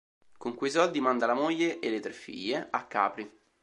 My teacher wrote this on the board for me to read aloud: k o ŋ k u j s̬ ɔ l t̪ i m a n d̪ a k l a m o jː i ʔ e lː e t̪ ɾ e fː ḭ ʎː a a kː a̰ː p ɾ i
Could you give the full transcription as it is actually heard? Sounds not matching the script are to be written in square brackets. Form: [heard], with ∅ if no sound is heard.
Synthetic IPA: k o ŋ k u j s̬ ɔ l [d̪] i m a n d̪ a [∅] l a m o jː [e] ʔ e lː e t̪ ɾ e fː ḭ ʎː [e] a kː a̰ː p ɾ i

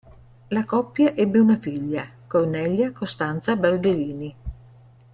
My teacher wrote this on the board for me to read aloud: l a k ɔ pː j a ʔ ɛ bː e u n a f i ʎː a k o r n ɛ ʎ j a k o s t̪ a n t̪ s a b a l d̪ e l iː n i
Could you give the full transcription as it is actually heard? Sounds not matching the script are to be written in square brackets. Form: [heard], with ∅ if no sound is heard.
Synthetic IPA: l a k ɔ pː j a ʔ ɛ bː e u n a f i ʎː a k o r n ɛ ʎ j a k o s t̪ a n t̪ s a b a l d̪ e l iː n i

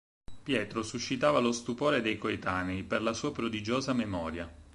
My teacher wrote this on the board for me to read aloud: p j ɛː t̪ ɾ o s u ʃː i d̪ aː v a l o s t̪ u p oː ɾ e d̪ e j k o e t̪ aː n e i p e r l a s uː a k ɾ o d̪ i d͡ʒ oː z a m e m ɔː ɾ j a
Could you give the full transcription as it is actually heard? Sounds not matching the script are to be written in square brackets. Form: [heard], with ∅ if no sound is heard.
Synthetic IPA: p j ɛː t̪ ɾ o s u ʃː i [t̪] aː v a l o s t̪ u p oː ɾ e d̪ e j k o e t̪ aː n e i p e r l a s uː a [p] ɾ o d̪ i d͡ʒ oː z a m e m ɔː ɾ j a

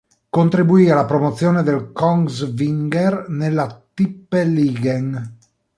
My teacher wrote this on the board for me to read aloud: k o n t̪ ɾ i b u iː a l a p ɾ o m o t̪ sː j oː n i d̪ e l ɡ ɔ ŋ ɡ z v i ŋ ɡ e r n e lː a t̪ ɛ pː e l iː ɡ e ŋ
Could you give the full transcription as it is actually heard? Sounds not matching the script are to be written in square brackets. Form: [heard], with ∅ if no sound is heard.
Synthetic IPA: k o n t̪ ɾ i b u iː a l a p ɾ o m o t̪ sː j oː n [e] d̪ e l [k] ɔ ŋ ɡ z v i ŋ ɡ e r n e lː a t̪ [i] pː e l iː ɡ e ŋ

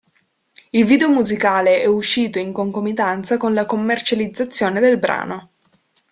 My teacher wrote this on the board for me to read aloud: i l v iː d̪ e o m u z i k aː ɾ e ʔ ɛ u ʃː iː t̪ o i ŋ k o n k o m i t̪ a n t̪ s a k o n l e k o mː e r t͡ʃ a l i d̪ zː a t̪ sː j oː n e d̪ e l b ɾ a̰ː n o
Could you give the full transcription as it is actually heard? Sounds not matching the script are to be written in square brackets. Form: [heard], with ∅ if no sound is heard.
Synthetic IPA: i l v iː d̪ e o m u z i k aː [l] e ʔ ɛ u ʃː iː t̪ o i ŋ k o [ŋ] k o m i t̪ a n t̪ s a k o n l [a] k o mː e r t͡ʃ a l i d̪ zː a t̪ sː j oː n e d̪ e l b ɾ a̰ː n o

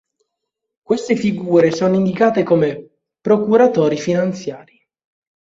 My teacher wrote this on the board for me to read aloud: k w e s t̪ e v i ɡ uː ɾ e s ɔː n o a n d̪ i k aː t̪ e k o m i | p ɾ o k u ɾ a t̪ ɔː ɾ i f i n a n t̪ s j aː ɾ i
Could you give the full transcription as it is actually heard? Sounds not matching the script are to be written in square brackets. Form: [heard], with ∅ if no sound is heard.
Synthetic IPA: k w e s t̪ e [f] i ɡ uː ɾ e s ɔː n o [i] n d̪ i k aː t̪ e k o m [e] | p ɾ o k u ɾ a t̪ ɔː ɾ i f i n a n t̪ s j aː ɾ i

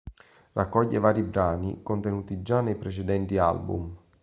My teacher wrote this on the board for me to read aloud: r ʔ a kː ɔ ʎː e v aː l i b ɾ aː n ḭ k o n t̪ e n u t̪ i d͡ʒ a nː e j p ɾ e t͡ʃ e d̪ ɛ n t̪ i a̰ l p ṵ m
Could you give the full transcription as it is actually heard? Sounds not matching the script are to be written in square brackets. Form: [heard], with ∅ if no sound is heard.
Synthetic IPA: r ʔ a kː ɔ ʎː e v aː [ɾ] i b ɾ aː n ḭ k o n t̪ e n [uː] t̪ i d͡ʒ a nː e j p ɾ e t͡ʃ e d̪ ɛ n t̪ i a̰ l [b] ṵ m

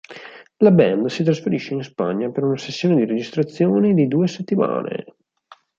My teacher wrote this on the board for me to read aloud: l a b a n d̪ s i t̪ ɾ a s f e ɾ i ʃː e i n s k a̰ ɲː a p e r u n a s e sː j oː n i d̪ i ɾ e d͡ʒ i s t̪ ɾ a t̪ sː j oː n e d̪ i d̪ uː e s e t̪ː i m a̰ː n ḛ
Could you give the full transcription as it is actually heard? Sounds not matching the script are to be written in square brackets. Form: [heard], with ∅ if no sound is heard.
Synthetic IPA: l a b [ɛ] n d̪ s i t̪ ɾ a s f e ɾ i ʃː e i n s [p] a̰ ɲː a p e [ɾ] u n a s e sː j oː n [e] d̪ i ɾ e d͡ʒ i s t̪ ɾ a t̪ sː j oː n e d̪ i d̪ uː e s e t̪ː i m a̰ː n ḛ

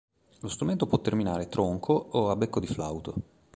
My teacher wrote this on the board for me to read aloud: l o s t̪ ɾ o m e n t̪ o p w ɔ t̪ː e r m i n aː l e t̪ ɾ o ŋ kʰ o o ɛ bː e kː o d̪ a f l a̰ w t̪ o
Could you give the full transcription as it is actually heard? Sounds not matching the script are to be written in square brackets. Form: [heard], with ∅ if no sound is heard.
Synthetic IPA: l o s t̪ ɾ [u] m e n t̪ o p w ɔ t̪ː e r m i n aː [ɾ] e t̪ ɾ o ŋ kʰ o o [a] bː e kː o d̪ [i] f l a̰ w t̪ o

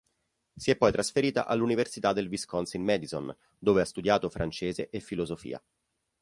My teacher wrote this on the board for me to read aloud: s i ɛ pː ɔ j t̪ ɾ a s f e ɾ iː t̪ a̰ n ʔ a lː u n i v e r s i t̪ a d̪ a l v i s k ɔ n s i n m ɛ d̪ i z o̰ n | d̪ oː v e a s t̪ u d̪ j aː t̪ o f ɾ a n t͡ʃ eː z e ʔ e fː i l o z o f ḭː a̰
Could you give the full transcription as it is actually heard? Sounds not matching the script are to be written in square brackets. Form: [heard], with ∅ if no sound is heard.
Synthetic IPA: s i ɛ pː ɔ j t̪ ɾ a s f e ɾ iː t̪ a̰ [∅] ʔ a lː u n i v e r s i t̪ a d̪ [e] l v i s k ɔ n s i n m ɛ d̪ i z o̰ n | d̪ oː v e a s t̪ u d̪ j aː t̪ o f ɾ a n t͡ʃ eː z e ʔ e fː i l o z o f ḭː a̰

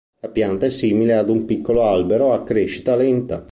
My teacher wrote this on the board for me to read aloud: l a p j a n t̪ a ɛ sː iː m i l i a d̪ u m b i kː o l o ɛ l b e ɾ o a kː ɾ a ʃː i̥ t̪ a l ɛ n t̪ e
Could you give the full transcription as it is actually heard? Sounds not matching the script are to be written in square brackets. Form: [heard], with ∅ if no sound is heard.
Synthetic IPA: l a p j a n t̪ a ɛ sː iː m i l [e] a d̪ u m [p] i kː o l o [a] l b e ɾ o a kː ɾ [e] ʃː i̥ t̪ a l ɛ n t̪ [a]

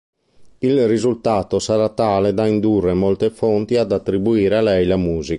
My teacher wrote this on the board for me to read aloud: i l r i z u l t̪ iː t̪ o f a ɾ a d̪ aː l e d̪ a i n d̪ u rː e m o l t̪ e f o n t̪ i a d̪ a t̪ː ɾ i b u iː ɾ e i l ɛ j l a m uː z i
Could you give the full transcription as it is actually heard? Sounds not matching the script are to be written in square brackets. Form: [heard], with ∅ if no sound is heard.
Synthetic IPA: i l r i z u l t̪ [aː] t̪ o [s] a ɾ a [t̪] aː l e d̪ a i n d̪ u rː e m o l t̪ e f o n t̪ i a d̪ a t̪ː ɾ i b u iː ɾ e [a] l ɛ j l a m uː z i

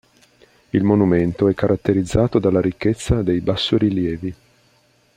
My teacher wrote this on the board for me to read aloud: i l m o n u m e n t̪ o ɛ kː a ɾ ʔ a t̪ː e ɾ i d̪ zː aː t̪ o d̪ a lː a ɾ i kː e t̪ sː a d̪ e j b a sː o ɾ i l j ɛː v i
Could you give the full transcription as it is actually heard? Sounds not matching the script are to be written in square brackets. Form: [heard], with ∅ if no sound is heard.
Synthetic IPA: i l m o n u m e n t̪ o ɛ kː a ɾ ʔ a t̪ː e ɾ i d̪ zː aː t̪ o d̪ a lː a ɾ i kː e t̪ sː a d̪ e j b a sː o ɾ i l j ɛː v i

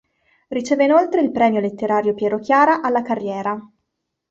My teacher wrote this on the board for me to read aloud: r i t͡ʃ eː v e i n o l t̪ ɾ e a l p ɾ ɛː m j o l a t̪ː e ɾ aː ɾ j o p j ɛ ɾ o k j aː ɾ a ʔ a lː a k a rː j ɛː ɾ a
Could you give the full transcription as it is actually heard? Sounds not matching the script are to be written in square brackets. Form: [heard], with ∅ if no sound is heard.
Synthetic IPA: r i t͡ʃ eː v e i n o l t̪ ɾ e [i] l p ɾ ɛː m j o l [e] t̪ː e ɾ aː ɾ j o p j ɛ ɾ o k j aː ɾ a ʔ a lː a k a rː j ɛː ɾ a

